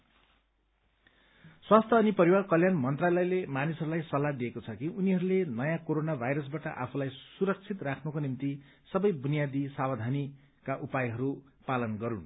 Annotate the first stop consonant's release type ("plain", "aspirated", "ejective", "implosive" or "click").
aspirated